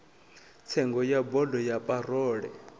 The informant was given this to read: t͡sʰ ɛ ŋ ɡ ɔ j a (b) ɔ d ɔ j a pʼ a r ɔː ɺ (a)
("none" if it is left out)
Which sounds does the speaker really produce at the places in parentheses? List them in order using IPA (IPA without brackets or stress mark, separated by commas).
b, ɛ